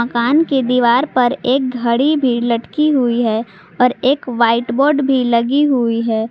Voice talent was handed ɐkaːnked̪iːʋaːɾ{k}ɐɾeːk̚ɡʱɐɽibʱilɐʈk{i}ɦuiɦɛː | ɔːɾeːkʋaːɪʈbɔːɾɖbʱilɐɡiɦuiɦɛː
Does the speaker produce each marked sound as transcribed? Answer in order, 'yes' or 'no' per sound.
no, yes

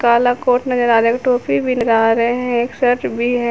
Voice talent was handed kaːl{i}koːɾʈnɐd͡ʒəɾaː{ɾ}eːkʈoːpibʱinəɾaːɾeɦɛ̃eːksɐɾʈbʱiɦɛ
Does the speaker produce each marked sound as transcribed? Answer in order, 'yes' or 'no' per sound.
no, yes

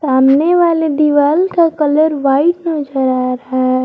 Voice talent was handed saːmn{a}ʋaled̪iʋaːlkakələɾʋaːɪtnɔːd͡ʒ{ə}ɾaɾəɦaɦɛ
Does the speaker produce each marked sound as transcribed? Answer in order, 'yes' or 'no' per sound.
no, yes

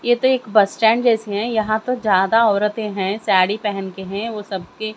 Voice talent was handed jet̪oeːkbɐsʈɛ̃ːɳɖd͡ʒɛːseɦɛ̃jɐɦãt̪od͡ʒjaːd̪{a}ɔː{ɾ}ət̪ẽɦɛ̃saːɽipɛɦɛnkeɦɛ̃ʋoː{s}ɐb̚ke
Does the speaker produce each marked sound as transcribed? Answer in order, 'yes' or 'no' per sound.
yes, yes, yes

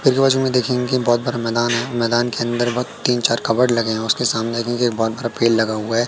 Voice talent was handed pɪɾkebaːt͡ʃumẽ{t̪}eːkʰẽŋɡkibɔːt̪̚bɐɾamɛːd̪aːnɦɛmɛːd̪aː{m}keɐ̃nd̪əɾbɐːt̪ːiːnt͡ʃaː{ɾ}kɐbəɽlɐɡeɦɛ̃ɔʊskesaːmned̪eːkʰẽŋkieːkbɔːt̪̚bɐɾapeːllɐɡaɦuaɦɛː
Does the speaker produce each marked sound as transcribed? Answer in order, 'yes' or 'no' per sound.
no, no, yes

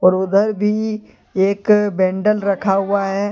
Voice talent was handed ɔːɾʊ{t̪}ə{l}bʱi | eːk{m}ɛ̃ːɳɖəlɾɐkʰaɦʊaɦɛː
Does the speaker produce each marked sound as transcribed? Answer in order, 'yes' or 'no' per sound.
no, no, no

